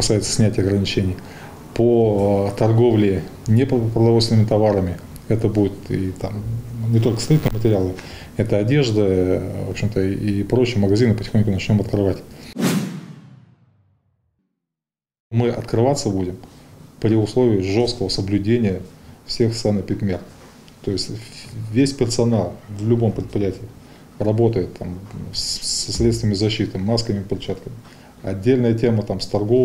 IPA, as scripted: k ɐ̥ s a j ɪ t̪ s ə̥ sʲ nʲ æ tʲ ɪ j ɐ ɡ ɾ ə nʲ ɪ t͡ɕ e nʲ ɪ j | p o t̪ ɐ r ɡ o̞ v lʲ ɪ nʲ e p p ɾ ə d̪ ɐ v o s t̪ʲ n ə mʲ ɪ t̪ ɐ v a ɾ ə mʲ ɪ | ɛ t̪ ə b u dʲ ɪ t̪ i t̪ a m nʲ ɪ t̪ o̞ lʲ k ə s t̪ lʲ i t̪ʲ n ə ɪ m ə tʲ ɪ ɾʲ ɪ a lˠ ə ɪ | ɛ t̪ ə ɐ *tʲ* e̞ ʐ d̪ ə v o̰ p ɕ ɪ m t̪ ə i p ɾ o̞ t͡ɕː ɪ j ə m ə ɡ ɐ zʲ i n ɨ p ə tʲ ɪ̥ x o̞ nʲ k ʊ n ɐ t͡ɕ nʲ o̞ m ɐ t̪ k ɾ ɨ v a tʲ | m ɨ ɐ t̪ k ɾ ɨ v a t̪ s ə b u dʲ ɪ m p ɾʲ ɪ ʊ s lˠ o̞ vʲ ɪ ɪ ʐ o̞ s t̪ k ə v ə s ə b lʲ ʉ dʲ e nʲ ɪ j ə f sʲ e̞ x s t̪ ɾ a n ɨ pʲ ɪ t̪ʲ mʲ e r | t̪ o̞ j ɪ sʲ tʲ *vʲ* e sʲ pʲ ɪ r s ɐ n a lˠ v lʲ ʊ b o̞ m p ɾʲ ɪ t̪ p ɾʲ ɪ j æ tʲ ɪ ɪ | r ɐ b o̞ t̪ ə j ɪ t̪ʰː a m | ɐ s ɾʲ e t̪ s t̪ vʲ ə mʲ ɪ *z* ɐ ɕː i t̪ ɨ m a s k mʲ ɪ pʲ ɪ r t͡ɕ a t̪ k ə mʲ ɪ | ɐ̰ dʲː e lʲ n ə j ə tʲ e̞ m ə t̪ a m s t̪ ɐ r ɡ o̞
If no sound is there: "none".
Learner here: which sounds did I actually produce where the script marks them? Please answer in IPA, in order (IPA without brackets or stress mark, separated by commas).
dʲ, vʲ, z